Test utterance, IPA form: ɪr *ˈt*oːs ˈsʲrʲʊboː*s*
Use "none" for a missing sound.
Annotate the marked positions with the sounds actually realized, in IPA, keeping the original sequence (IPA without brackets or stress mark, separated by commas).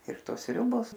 t, s